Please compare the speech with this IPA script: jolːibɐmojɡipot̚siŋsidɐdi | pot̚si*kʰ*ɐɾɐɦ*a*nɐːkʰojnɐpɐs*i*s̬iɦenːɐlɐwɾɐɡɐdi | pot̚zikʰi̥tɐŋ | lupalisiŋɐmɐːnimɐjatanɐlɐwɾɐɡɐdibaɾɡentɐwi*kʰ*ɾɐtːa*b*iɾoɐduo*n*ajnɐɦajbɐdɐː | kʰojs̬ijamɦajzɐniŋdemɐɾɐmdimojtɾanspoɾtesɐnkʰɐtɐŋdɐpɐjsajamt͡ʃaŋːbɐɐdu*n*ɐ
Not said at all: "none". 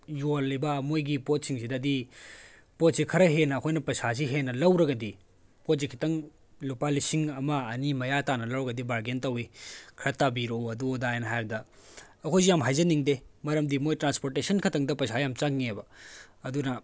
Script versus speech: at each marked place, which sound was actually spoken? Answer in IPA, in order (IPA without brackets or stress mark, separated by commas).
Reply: kʰ, e, a, kʰ, b, d, n